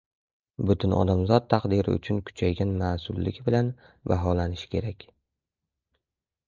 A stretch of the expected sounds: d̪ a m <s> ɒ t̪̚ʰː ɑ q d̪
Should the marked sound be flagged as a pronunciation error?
yes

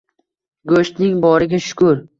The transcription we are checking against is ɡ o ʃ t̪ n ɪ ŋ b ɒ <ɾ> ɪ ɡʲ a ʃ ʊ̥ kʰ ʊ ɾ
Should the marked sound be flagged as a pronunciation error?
no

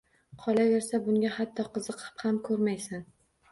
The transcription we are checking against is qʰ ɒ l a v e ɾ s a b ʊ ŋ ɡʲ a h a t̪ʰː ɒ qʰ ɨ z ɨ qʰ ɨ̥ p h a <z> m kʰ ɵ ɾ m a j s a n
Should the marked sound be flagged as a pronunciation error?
yes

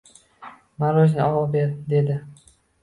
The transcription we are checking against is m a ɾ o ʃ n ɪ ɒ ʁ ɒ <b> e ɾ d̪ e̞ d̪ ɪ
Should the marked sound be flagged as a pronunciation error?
no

